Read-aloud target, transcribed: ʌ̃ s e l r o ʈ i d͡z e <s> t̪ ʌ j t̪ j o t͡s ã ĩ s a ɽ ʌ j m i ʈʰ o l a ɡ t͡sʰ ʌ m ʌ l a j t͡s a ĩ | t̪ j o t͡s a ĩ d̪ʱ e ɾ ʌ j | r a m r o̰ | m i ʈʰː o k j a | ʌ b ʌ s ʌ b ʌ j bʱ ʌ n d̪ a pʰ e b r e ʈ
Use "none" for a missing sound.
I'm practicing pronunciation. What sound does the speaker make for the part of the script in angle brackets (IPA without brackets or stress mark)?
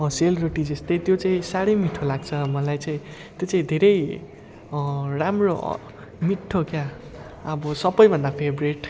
s